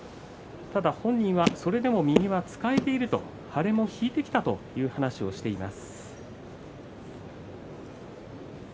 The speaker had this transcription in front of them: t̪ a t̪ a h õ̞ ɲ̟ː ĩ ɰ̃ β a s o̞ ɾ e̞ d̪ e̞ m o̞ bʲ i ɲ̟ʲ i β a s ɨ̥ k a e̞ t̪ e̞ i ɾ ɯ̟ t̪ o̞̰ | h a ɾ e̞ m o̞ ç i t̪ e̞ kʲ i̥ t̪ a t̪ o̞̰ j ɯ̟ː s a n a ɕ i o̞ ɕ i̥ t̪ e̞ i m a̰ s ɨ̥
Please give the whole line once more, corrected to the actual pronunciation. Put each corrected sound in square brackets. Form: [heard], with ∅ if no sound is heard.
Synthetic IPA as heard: t̪ a [d̪] a h õ̞ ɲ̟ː ĩ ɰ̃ β a s o̞ ɾ e̞ d̪ e̞ m o̞ [mʲ] i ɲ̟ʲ i β a [t͡s] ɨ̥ k a e̞ t̪ e̞ i ɾ ɯ̟ t̪ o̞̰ | h a ɾ e̞ m o̞ ç [iː] t̪ e̞ kʲ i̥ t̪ a t̪ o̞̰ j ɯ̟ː [h] a n a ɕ i o̞ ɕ i̥ t̪ e̞ i m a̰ s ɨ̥